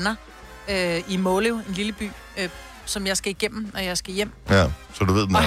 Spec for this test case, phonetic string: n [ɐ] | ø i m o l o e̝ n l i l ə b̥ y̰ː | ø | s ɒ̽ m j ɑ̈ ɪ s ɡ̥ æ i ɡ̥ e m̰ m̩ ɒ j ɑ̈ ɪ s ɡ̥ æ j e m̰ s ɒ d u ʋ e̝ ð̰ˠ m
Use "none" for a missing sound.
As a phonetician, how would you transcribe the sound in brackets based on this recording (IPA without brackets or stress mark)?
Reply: ɐ